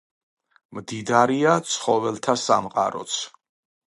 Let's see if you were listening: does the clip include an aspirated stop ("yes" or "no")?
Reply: yes